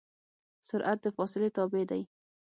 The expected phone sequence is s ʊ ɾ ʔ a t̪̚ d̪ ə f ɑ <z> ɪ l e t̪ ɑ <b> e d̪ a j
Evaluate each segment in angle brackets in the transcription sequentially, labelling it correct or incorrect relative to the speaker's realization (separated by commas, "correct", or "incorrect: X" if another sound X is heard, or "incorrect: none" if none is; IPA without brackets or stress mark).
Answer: incorrect: s, correct